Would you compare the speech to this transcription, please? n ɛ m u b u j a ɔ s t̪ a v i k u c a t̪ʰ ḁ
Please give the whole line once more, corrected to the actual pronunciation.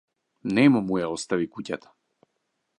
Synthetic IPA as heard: n ɛ m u m u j a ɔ s t̪ a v i k u c a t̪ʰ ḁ